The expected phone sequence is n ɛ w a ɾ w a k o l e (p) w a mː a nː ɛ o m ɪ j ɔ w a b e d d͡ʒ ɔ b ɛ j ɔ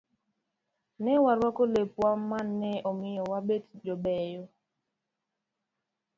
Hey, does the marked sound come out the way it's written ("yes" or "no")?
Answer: yes